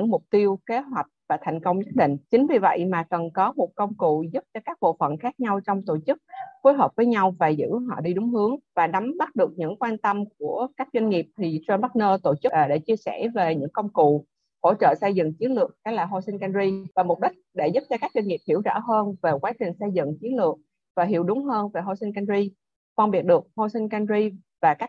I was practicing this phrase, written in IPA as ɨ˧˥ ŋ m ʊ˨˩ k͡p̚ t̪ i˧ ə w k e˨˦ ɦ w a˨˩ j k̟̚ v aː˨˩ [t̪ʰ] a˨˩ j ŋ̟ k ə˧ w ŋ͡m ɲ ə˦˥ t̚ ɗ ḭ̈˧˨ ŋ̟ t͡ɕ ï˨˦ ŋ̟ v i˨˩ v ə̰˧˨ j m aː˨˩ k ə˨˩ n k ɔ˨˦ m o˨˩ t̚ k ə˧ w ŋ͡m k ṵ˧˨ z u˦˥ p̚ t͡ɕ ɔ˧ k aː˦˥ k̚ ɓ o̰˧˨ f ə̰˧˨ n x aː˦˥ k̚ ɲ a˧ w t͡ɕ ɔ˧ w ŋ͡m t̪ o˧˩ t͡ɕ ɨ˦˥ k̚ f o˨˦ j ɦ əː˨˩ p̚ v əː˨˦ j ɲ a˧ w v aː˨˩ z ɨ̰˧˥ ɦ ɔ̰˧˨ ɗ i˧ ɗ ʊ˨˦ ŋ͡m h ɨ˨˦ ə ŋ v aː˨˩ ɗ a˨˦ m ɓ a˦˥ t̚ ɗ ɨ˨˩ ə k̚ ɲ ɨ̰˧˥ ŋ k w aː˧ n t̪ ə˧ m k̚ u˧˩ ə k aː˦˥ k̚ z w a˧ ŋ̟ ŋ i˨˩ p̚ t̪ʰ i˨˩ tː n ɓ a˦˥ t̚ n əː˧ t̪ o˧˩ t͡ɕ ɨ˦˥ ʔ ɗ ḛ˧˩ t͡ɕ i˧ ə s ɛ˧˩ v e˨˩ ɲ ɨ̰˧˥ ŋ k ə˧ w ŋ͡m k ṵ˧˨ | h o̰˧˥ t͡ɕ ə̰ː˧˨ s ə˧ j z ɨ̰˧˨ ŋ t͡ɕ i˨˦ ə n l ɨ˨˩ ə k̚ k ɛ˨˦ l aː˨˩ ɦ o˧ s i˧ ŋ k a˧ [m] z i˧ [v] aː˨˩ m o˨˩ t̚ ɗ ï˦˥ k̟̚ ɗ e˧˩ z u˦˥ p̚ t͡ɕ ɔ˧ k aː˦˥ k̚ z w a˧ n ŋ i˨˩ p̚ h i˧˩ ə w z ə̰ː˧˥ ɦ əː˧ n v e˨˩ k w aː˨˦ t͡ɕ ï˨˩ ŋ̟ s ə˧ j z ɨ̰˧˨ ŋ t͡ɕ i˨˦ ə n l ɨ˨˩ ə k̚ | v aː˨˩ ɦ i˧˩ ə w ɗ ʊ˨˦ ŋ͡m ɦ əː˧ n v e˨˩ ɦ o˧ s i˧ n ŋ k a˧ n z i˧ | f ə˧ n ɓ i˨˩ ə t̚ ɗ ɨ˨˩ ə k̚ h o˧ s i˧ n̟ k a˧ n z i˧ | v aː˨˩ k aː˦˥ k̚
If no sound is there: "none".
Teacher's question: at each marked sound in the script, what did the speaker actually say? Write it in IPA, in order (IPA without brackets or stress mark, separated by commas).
t̪ʰ, n, v